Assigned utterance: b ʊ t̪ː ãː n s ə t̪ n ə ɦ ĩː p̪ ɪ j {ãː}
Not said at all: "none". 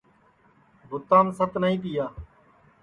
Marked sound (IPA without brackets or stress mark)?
aː